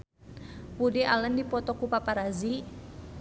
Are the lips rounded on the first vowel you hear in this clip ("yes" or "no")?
yes